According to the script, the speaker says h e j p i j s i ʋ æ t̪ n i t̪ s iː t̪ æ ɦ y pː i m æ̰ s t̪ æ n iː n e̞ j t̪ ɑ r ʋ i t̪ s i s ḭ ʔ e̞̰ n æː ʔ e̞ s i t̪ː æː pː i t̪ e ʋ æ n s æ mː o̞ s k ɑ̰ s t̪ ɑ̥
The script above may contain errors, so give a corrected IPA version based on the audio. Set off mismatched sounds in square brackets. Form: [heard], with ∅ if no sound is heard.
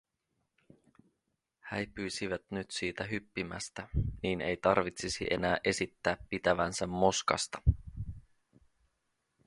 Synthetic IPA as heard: h [æ] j p [y] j s i ʋ æ t̪ n [y] t̪ s iː t̪ æ ɦ y pː i m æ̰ s t̪ æ n iː n e̞ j t̪ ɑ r ʋ i t̪ s i s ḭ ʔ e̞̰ n æː ʔ e̞ s i t̪ː æː pː i t̪ [æ] ʋ æ n s æ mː o̞ s k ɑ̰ s t̪ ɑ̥

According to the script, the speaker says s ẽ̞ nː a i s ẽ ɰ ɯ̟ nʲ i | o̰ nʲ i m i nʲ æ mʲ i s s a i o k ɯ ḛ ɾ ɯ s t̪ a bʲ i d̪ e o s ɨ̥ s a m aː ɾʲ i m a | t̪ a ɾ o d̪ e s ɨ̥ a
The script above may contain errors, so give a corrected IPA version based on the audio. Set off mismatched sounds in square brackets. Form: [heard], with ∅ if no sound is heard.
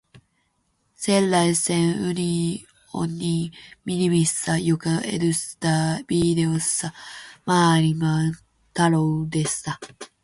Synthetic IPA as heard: s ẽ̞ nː a i s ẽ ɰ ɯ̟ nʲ i | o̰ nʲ i m i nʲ [i] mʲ i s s a [j] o k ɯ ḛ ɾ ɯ s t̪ a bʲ i d̪ e o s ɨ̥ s a m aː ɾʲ i m a | t̪ a ɾ o d̪ e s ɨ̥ a

